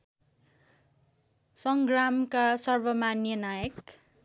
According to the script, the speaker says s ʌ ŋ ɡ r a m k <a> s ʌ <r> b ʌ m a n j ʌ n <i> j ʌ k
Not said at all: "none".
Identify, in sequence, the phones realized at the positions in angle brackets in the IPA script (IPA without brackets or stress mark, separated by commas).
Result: a, r, a